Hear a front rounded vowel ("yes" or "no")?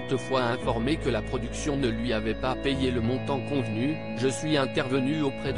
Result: yes